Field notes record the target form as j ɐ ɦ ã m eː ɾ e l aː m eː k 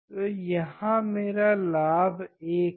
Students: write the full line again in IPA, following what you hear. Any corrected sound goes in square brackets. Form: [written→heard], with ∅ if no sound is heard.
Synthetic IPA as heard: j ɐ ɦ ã m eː ɾ [e→a] l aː [m→b] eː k